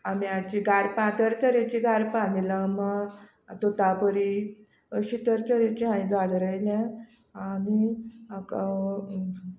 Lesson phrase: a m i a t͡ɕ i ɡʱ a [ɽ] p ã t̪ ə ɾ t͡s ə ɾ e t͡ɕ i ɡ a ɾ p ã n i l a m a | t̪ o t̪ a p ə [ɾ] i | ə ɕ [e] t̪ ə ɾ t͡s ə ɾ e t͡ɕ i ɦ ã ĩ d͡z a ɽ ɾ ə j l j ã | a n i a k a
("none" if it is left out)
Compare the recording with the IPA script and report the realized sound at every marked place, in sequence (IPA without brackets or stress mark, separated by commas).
ɾ, ɾ, i